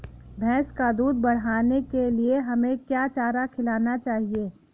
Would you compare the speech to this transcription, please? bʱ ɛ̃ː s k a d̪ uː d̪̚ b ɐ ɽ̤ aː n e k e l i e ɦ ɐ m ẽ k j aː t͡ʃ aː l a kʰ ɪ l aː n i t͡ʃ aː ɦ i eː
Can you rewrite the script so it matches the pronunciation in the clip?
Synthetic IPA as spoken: bʱ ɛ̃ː s k a d̪ uː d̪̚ b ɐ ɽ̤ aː n e k e l i e ɦ ɐ m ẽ k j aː t͡ʃ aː ɾ a kʰ ɪ l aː n a t͡ʃ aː ɦ i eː